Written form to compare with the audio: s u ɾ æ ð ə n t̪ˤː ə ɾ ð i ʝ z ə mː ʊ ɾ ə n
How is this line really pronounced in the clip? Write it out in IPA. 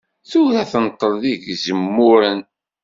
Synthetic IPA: θ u ɾ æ θ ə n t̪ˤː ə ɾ ð i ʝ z ə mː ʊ ɾ ə n